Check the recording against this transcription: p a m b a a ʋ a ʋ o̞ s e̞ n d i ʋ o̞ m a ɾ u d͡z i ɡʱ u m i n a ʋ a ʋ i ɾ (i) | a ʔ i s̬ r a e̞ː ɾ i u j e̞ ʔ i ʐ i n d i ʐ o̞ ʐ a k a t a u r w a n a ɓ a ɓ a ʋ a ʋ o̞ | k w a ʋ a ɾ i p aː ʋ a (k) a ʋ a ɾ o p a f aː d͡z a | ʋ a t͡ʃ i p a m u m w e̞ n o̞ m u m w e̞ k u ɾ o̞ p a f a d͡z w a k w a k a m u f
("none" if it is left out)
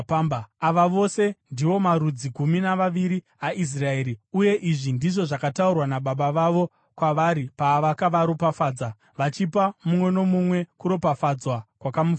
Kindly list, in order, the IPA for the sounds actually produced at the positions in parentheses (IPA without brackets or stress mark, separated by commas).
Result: i, k